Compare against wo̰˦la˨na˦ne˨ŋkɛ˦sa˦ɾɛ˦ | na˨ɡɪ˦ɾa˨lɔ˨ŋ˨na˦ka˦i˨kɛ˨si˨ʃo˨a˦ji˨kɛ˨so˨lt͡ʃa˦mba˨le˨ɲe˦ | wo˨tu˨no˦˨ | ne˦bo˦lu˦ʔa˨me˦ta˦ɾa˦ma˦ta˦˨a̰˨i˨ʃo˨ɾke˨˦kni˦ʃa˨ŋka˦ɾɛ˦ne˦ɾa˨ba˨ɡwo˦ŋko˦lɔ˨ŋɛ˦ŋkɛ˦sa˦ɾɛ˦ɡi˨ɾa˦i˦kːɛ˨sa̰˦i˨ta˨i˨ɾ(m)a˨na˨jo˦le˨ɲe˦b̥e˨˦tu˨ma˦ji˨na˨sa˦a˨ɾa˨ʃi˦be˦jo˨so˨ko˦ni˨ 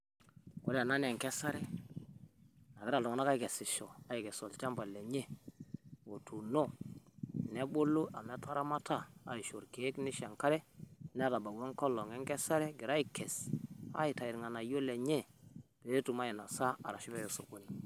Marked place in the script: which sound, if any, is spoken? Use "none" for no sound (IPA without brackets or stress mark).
ŋ